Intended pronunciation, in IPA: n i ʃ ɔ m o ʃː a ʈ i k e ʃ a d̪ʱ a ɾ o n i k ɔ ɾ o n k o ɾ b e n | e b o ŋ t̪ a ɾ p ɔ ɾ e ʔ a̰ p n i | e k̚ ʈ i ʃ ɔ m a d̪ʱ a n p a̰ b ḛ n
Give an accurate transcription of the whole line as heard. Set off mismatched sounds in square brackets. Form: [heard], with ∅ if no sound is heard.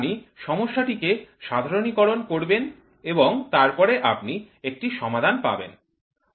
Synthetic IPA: n i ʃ ɔ m o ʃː a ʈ i k e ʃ a d̪ʱ a ɾ o n i k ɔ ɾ o n k o ɾ b e n | e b o ŋ t̪ a ɾ p ɔ ɾ e ʔ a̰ p n i | e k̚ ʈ i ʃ ɔ m a d̪ʱ a n p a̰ b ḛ n

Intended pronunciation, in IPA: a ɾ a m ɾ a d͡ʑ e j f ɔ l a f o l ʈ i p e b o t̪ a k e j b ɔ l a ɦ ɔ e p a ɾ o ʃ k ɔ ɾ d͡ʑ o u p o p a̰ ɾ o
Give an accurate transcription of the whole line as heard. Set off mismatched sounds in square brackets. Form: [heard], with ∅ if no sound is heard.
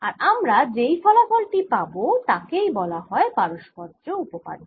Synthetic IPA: a ɾ a m ɾ a d͡ʑ e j f ɔ l a f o l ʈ i p [a] b o t̪ a k e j b ɔ l a ɦ ɔ e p a ɾ o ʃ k ɔ ɾ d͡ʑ o u p o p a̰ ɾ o

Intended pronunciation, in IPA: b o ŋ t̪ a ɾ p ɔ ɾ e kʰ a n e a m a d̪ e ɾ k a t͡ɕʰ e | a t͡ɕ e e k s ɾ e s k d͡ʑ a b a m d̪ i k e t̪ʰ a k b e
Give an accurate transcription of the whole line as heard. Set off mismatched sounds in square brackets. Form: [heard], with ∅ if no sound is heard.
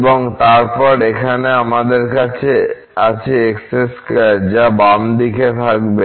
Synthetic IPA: b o ŋ t̪ a ɾ p ɔ ɾ e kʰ a n e a m a d̪ e ɾ k a t͡ɕʰ e | a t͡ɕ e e k s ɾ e s k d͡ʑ a b a m d̪ i k e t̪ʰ a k b e

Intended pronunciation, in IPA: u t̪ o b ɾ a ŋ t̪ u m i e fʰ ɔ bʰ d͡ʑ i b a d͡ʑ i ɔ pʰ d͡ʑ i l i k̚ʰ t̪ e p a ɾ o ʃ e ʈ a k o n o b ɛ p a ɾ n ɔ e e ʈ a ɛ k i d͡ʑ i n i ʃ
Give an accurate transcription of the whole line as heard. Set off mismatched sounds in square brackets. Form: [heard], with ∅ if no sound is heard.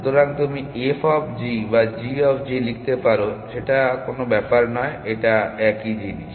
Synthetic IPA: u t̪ o [∅] ɾ a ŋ t̪ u m i e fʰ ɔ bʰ d͡ʑ i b a d͡ʑ i ɔ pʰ d͡ʑ i l i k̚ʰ t̪ e p a ɾ o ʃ e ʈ a k o n o b ɛ p a ɾ n ɔ e e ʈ a ɛ k i d͡ʑ i n i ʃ

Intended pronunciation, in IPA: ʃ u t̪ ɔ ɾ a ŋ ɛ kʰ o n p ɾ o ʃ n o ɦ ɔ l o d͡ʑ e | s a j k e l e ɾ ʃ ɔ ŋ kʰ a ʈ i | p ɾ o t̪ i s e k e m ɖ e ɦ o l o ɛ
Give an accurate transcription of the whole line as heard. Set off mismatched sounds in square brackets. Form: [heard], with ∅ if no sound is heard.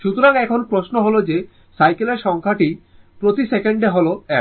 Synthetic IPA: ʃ u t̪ [o] ɾ a ŋ ɛ kʰ o n p ɾ o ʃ n o ɦ [o] l o d͡ʑ e | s a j k e l e ɾ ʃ ɔ ŋ kʰ a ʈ i | p ɾ o t̪ i s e k e [ɳ] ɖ e ɦ o l o ɛ

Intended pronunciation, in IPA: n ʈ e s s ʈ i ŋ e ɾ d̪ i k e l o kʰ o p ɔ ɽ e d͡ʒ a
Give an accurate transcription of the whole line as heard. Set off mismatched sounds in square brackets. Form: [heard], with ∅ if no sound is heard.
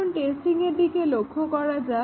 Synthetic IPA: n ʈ e s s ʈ i ŋ e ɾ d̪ i k e l o kʰ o [k] ɔ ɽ [a] d͡ʒ a

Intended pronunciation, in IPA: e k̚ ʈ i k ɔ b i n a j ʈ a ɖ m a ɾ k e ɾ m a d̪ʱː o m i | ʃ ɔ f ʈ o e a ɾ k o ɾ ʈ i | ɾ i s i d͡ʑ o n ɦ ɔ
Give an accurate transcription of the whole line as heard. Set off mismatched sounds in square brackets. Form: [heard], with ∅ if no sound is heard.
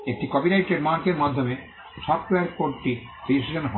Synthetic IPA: e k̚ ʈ i k ɔ b i n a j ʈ [e] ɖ m a ɾ k e ɾ m a d̪ʱː o m [e] | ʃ ɔ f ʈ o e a ɾ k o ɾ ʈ i | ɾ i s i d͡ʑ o n ɦ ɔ

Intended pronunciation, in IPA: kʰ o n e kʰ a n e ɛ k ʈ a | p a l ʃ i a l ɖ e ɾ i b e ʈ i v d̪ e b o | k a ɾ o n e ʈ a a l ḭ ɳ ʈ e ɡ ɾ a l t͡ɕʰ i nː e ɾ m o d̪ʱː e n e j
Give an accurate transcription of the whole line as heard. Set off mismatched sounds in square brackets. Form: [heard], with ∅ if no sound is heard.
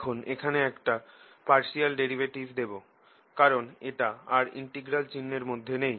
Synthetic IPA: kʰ o n e kʰ a n e ɛ k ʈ a | p a [ɾ] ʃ i a l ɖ e ɾ i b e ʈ i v d̪ e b o | k a ɾ o n e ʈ a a [ɾ] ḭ ɳ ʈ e ɡ ɾ a l [t͡ɕ] i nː e ɾ m o d̪ʱː e n e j

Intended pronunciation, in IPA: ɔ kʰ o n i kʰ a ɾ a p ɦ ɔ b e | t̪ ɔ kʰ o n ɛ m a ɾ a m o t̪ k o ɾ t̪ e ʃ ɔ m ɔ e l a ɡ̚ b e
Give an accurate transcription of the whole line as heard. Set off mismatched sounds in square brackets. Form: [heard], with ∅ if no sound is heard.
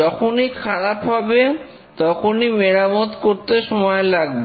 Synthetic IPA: ɔ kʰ o n i kʰ a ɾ a p ɦ ɔ b e | t̪ ɔ kʰ o n [i] m [e] ɾ a m o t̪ k o ɾ t̪ e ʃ ɔ m ɔ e l a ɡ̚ b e

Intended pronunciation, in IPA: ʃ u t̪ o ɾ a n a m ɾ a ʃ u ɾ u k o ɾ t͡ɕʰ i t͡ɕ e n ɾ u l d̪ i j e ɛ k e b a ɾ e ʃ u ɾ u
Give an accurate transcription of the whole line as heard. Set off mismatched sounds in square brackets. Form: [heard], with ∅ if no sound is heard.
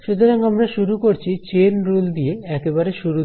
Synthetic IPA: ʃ u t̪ o ɾ a [ŋ] a m ɾ a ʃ u ɾ u k o ɾ t͡ɕʰ i t͡ɕ e n ɾ u l d̪ i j e ɛ k e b a ɾ e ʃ u ɾ u

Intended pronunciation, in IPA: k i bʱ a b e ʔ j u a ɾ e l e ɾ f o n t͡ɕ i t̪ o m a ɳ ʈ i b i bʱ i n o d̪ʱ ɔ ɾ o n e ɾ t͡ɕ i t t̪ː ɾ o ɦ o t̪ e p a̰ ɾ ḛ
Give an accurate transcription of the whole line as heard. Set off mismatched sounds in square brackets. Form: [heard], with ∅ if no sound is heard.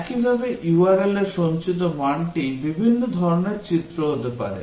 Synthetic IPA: k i bʱ a b e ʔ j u a ɾ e l e ɾ [ʃ] o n t͡ɕ i t̪ o m a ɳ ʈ i b i bʱ i [nː] o d̪ʱ ɔ ɾ o n e ɾ t͡ɕ i t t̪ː ɾ o ɦ o t̪ e p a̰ ɾ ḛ

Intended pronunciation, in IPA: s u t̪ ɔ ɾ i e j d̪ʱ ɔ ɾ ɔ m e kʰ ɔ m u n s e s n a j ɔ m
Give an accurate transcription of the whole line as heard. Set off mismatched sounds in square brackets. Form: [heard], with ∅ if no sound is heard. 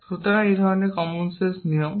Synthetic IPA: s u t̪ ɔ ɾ [a] e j d̪ʱ ɔ ɾ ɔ [n] e [k] ɔ m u n s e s n [i] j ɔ m

